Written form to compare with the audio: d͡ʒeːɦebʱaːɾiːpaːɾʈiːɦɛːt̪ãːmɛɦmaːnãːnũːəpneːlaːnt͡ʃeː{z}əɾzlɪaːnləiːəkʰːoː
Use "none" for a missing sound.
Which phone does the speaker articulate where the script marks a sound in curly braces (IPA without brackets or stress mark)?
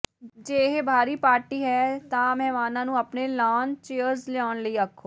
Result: none